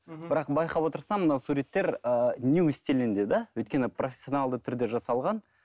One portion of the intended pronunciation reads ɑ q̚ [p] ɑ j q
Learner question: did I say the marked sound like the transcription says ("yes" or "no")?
no